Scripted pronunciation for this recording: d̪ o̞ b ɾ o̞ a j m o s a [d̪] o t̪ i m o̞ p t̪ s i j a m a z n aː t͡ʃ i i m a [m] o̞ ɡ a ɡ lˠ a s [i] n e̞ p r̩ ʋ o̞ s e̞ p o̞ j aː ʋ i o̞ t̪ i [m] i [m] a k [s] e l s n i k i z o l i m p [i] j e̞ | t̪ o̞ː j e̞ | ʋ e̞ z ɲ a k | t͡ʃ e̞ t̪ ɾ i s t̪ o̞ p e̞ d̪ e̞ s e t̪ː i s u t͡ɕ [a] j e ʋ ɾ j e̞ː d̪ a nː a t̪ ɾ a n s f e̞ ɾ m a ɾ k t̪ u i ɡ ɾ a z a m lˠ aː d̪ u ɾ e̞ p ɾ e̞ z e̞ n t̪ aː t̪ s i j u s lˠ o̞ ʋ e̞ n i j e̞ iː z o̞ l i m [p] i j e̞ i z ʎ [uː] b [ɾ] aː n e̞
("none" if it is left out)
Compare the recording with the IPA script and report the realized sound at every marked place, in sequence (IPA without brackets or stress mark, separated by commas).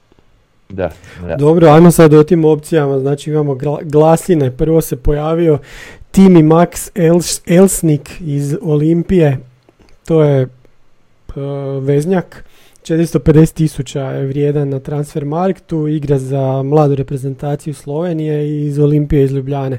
d̪, m, i, m, m, s, i, a, p, u, ʎ